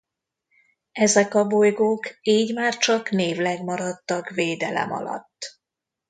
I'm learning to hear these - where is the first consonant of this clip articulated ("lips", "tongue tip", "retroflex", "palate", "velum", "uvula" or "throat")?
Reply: tongue tip